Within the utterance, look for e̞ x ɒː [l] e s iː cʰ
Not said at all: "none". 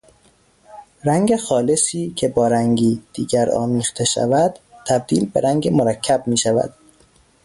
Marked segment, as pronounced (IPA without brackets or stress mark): l